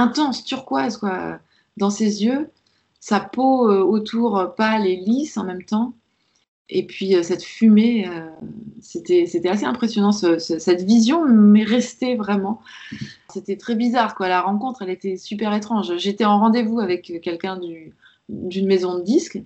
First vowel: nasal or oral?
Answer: nasal